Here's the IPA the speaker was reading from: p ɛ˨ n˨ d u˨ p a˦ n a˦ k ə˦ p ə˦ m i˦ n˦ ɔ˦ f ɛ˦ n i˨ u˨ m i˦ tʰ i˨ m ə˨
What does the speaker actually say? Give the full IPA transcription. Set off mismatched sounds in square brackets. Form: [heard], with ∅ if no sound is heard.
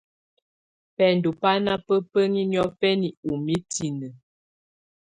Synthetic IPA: p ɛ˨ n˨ d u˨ p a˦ n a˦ [p] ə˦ p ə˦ [ŋ] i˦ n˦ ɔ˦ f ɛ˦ n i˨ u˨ m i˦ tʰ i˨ [n] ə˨